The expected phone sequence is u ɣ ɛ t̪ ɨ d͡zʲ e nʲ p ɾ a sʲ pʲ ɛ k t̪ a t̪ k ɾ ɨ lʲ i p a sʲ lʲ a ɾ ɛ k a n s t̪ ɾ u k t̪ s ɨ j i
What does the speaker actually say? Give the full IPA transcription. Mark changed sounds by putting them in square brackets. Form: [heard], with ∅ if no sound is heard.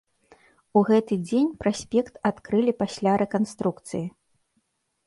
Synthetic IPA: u ɣ ɛ t̪ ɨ d͡zʲ e nʲ p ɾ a sʲ pʲ ɛ k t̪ a t̪ k ɾ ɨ lʲ i p a sʲ lʲ a ɾ ɛ k a n s t̪ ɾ u k t̪ s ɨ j i